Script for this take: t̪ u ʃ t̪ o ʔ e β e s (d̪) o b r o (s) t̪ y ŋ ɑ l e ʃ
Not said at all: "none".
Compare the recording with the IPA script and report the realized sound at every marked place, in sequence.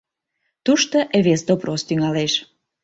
d̪, s

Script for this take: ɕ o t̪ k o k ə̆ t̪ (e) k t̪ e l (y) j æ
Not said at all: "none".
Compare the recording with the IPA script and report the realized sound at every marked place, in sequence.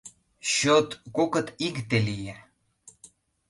i, i

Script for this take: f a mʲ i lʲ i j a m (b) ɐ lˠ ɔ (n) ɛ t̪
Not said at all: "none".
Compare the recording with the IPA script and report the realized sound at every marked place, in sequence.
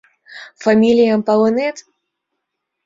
p, n

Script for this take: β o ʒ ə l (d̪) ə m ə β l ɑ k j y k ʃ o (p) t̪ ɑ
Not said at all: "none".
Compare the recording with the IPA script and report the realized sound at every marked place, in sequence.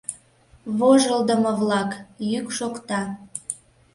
d̪, k

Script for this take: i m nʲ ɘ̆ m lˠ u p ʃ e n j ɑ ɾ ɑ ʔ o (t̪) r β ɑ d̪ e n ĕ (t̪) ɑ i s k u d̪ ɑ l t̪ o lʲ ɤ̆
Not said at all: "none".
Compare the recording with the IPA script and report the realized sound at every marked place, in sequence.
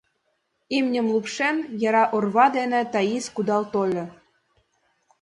none, t̪

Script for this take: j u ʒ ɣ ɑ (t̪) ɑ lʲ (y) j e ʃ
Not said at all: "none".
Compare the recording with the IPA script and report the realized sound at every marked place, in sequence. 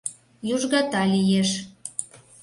t̪, i

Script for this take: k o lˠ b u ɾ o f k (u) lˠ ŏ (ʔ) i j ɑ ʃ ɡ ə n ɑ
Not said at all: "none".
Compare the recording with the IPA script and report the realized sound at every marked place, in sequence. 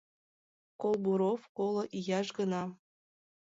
o, ʔ

